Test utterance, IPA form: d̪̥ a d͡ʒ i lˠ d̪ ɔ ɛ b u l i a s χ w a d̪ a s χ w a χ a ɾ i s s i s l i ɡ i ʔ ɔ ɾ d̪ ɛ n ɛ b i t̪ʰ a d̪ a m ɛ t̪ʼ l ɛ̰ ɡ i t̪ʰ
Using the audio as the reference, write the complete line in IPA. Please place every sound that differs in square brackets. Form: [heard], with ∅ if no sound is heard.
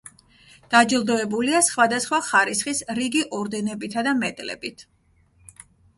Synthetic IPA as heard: d̪̥ a d͡ʒ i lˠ d̪ ɔ ɛ b u l i a s χ w a d̪ a s χ w a χ a ɾ i s [χ] i s [ɾ] i ɡ i ʔ ɔ ɾ d̪ ɛ n ɛ b i t̪ʰ a d̪ a m ɛ t̪ʼ l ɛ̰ [b] i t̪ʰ